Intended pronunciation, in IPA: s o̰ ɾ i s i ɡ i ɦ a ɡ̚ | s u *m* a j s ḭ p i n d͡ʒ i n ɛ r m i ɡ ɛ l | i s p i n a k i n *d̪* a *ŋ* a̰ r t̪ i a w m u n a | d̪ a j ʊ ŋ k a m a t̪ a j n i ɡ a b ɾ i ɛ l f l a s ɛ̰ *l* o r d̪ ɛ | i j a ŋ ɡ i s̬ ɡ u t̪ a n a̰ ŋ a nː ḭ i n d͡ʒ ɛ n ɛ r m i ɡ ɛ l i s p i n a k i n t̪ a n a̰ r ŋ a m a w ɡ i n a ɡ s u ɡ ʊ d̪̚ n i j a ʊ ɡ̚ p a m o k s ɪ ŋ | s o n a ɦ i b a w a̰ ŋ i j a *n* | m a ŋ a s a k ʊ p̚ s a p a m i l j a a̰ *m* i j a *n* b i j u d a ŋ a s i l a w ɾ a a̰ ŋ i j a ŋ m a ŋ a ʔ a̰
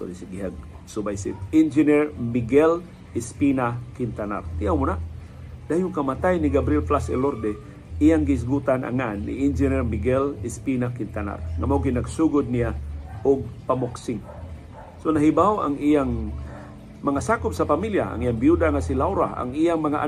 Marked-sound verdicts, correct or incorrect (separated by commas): incorrect, incorrect, incorrect, correct, incorrect, incorrect, incorrect